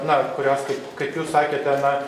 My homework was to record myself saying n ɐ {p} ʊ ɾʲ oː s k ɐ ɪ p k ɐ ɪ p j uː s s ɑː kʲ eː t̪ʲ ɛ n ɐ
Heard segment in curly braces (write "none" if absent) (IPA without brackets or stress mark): k